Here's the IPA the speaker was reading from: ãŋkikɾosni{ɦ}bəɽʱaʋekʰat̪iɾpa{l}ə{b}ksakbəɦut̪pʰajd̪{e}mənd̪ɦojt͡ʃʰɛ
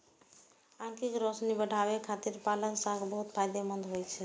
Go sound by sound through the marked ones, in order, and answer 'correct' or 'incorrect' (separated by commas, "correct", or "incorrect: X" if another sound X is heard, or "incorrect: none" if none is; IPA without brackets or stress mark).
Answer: incorrect: none, correct, incorrect: none, correct